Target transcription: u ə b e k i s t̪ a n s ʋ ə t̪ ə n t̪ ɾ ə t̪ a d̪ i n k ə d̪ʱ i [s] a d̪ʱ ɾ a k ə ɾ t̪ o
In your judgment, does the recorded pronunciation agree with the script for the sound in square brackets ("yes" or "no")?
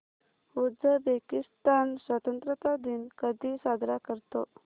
yes